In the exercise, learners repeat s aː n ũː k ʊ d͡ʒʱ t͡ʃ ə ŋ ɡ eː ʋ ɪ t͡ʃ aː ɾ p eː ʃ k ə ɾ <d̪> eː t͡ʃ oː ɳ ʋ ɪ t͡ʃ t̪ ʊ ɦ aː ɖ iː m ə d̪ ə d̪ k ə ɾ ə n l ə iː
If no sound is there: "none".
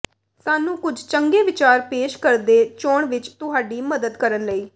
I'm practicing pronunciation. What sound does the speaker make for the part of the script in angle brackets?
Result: d̪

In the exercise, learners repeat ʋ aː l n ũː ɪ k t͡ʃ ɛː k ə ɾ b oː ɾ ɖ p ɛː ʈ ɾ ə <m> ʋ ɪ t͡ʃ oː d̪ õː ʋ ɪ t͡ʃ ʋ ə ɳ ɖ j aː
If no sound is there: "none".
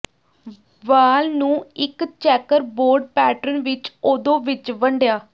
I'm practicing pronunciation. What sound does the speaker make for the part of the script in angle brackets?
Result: n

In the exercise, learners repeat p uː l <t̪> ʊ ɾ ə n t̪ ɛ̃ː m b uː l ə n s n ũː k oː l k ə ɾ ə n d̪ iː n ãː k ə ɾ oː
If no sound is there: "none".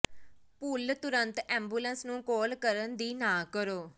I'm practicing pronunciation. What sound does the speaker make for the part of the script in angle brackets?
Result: t̪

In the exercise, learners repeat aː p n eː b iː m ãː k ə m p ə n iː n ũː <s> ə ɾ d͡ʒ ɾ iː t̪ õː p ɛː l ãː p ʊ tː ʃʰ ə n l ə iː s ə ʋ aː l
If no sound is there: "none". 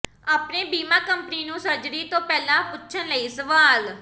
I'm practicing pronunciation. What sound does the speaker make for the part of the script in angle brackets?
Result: s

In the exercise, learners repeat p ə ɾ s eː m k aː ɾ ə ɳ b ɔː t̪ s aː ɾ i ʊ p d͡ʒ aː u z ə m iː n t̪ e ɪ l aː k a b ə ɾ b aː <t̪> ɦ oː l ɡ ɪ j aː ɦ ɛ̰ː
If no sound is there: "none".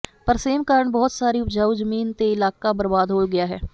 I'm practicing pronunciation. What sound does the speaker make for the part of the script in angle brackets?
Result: d̪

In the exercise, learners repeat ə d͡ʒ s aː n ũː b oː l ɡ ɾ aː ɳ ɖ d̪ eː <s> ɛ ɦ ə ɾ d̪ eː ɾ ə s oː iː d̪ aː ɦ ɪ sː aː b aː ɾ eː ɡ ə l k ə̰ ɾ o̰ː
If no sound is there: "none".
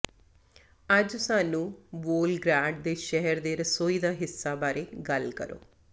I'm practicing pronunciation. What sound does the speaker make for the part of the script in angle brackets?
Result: ʃ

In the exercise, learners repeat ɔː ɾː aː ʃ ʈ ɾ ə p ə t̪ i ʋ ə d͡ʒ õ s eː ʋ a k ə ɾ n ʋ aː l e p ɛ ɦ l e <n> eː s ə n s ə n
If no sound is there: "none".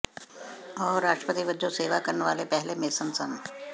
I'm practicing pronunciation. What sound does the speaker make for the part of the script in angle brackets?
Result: m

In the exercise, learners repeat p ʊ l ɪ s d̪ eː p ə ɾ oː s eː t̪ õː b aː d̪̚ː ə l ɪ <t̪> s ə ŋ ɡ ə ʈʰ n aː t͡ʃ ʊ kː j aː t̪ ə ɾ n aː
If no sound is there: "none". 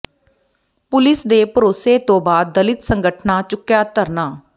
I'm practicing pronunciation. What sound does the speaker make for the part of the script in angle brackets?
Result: t̪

